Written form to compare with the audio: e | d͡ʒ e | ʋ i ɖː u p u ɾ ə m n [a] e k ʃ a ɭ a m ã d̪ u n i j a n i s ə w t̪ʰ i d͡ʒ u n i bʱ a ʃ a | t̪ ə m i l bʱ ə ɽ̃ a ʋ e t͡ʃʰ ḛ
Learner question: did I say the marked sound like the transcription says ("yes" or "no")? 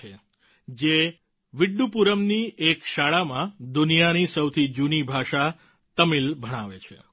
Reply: no